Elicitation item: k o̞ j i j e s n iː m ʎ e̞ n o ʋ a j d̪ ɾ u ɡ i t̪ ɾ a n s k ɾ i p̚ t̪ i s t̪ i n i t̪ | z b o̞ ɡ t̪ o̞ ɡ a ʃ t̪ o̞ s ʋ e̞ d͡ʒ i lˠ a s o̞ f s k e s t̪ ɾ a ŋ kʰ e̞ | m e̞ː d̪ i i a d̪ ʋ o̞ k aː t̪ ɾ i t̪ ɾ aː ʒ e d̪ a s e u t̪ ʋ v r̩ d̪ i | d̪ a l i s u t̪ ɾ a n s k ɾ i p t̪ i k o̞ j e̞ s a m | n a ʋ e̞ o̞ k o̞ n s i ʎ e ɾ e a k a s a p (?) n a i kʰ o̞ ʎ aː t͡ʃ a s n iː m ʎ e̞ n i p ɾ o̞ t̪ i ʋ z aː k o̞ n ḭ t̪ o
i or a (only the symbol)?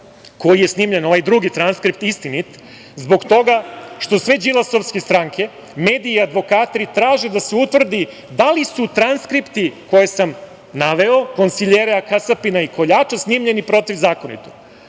i